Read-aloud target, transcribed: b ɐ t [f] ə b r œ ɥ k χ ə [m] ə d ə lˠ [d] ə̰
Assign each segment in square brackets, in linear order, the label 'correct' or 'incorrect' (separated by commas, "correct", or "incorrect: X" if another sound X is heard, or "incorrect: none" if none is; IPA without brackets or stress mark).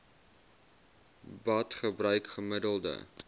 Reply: incorrect: χ, correct, correct